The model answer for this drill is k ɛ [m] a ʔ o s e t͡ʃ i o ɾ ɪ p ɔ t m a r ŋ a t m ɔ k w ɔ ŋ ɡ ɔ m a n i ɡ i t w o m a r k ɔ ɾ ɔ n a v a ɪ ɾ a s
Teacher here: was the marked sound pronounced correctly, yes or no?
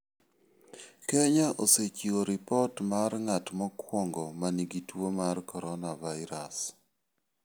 no